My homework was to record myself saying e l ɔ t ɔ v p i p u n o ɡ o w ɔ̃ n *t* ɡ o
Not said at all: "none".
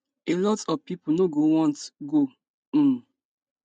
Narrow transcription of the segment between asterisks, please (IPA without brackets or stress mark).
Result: t